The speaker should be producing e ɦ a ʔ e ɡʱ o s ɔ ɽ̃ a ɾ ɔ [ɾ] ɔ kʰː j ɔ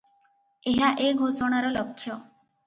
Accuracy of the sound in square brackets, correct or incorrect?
incorrect